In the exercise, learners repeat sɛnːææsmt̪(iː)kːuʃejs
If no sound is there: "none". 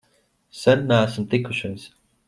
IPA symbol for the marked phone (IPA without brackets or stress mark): i